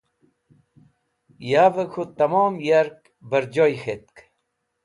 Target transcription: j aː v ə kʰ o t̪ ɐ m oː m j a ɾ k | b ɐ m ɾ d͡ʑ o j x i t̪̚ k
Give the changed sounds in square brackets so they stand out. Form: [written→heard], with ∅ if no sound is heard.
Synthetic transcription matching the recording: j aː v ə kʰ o t̪ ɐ m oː m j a ɾ k | b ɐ [m→∅] ɾ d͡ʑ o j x [i→e] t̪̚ k